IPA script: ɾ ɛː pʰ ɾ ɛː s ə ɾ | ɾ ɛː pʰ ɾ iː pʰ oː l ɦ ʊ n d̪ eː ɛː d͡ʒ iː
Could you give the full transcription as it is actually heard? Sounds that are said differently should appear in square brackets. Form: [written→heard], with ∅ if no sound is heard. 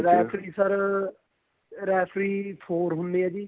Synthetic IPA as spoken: ɾ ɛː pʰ ɾ [ɛː→iː] s ə ɾ | ɾ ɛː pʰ ɾ iː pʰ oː [l→ɾ] ɦ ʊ n d̪ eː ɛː d͡ʒ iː